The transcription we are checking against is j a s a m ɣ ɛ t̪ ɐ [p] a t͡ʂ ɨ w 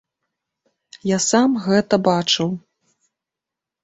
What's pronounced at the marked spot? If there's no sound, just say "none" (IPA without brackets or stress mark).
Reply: b